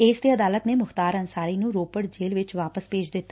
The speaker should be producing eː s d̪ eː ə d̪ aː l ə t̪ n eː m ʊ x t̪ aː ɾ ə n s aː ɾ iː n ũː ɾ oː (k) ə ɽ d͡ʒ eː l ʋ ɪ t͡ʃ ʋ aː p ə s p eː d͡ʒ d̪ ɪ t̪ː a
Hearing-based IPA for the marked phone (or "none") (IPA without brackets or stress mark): p